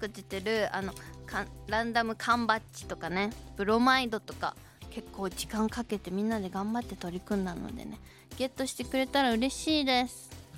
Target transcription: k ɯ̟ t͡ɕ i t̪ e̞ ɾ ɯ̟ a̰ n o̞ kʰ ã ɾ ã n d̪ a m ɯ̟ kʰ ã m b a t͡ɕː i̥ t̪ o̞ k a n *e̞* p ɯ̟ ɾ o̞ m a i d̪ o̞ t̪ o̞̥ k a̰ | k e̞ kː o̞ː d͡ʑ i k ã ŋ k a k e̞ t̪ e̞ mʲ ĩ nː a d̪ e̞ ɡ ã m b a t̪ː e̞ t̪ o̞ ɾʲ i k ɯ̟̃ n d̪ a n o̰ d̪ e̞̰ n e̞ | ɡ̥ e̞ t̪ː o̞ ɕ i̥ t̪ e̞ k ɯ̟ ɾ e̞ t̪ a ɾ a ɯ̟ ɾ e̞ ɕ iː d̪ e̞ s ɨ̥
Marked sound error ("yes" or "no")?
no